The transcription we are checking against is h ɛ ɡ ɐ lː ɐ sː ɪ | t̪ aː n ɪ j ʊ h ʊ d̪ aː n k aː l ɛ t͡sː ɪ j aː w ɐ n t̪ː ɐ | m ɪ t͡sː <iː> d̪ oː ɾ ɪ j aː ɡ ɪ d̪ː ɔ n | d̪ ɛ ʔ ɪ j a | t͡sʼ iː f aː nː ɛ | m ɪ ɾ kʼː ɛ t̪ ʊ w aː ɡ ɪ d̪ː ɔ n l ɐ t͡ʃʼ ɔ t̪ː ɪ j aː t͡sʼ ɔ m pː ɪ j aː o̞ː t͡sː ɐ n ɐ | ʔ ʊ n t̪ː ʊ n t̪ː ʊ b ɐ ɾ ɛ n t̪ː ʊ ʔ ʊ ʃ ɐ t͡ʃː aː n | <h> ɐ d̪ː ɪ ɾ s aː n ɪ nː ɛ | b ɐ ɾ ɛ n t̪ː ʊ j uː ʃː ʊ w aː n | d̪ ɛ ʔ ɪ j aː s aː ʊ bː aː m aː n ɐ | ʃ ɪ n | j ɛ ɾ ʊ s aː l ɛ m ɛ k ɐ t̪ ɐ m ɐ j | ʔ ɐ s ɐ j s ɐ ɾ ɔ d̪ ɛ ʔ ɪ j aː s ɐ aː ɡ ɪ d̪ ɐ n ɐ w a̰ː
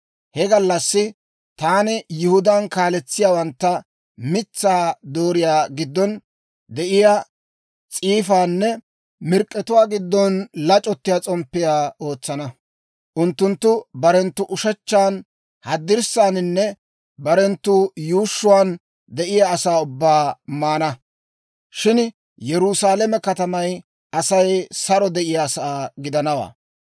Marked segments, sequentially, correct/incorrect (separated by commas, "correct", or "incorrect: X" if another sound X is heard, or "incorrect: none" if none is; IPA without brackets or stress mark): incorrect: aː, correct